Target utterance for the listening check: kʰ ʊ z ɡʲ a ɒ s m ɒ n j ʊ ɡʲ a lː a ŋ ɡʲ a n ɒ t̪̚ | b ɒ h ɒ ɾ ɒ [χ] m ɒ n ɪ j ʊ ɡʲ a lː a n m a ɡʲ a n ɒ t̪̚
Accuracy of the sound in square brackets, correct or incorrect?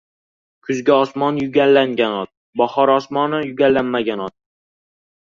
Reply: incorrect